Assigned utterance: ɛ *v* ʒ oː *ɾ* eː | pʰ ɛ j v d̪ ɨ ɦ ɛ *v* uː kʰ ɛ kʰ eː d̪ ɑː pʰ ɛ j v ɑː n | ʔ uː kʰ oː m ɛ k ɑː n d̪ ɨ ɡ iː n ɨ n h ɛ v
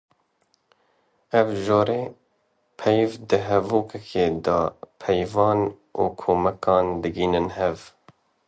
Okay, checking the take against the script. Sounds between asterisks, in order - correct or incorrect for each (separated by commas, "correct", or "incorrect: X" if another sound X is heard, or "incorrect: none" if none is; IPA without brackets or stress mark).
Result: correct, correct, correct